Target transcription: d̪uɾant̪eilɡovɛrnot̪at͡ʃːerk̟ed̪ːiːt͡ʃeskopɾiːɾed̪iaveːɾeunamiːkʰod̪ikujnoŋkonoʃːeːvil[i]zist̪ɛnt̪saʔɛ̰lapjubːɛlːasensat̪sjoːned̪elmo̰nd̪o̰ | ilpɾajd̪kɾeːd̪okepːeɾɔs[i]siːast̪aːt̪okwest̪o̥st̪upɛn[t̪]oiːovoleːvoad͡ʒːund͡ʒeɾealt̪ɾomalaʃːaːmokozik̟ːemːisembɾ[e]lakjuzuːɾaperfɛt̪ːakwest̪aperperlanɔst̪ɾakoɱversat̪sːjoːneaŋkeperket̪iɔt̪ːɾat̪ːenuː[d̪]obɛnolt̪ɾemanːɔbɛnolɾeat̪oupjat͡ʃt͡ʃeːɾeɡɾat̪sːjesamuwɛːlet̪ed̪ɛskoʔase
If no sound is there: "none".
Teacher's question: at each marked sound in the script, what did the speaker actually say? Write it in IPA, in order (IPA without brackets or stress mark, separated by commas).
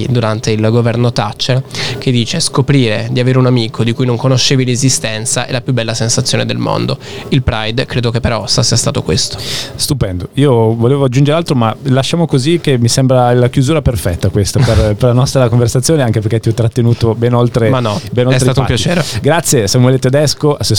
e, a, d̪, a, t̪